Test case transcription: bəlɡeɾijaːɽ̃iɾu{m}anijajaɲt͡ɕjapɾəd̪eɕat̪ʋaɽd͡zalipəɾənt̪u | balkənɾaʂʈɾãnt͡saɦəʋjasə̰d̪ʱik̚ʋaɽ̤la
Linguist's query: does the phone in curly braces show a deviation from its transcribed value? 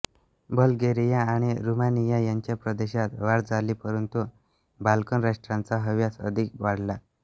no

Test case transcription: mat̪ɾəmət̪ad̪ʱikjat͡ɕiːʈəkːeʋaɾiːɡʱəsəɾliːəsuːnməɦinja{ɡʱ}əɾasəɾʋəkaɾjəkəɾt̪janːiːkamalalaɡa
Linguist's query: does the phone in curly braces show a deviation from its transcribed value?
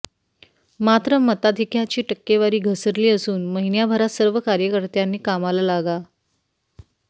yes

